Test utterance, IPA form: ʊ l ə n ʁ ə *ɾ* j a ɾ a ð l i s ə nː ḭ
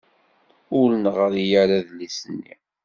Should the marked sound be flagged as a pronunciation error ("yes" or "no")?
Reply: no